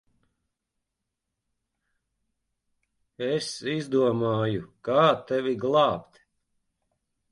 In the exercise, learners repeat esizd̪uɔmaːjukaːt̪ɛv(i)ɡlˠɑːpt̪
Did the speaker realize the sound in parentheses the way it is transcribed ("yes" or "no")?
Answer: yes